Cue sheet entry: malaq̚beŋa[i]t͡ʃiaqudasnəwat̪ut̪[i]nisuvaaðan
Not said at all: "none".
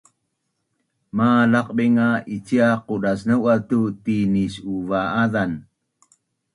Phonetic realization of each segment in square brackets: i, i

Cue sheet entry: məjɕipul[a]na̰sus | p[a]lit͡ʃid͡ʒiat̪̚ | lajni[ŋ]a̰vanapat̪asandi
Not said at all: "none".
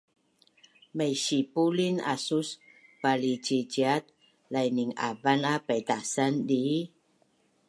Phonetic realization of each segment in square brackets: i, a, ŋ

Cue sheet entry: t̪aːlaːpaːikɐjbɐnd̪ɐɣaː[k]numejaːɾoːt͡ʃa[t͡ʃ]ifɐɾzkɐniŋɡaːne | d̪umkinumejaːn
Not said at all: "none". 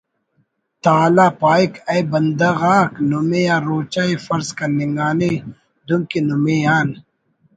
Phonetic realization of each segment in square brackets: k, none

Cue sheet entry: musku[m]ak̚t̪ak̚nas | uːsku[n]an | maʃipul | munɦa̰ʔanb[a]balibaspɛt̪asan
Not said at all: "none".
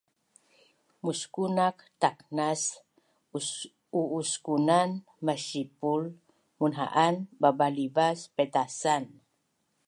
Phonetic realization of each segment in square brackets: n, n, a

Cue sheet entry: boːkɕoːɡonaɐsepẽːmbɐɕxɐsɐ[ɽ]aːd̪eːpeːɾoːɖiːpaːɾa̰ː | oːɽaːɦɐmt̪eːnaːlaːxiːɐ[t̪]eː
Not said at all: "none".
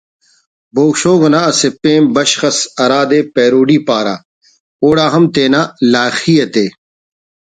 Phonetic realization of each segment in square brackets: ɾ, t̪

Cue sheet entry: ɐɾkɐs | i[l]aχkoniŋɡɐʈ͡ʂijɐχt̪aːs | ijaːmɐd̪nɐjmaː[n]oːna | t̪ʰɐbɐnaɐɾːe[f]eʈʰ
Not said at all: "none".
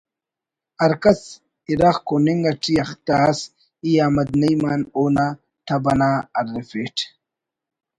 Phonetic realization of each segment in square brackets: ɾ, n, f

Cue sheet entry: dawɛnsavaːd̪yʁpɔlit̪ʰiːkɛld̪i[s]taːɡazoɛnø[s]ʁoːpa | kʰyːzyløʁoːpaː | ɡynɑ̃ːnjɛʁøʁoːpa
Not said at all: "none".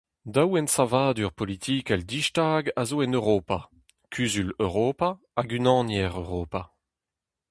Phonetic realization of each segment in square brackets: ʃ, none

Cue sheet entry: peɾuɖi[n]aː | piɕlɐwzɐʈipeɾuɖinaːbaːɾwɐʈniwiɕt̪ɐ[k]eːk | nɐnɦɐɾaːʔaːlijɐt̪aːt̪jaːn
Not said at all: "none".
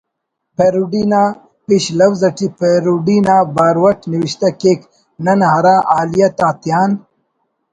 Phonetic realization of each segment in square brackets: n, k

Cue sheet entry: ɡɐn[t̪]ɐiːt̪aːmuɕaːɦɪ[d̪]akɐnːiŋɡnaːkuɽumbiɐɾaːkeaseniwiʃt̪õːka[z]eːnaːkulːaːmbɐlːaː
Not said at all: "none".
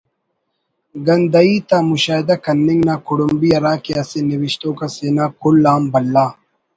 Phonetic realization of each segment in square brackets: d̪, d̪, s

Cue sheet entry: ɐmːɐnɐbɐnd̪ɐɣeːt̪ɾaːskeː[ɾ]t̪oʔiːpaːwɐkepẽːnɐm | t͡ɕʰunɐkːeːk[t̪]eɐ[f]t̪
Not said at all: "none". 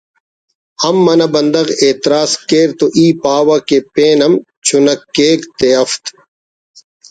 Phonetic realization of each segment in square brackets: ɾ, t̪, f

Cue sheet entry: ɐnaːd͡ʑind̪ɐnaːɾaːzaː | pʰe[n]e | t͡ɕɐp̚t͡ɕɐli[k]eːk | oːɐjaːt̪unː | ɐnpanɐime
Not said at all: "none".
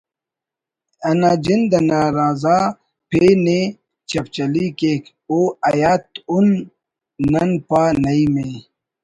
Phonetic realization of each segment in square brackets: n, k

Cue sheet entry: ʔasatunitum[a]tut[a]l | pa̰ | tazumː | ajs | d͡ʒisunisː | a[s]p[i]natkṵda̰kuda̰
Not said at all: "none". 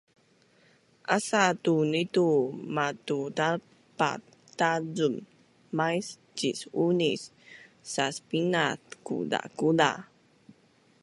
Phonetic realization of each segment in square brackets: a, a, s, i

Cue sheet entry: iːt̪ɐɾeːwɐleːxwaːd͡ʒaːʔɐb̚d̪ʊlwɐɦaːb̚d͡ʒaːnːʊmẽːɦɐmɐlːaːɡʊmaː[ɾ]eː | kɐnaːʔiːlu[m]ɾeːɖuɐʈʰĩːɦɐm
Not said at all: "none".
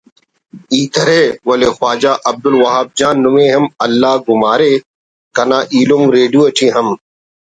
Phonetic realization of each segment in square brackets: ɾ, m

